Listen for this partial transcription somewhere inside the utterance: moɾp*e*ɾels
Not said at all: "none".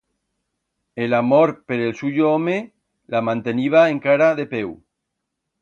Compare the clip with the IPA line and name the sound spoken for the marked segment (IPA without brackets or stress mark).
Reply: e